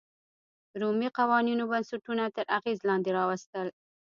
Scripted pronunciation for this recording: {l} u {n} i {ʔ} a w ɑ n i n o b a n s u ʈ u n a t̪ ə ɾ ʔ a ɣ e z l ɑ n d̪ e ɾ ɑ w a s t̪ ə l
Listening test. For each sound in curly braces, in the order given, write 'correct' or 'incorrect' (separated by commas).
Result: incorrect, incorrect, incorrect